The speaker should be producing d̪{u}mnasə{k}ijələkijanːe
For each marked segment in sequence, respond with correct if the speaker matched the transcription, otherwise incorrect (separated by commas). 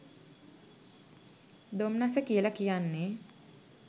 incorrect, correct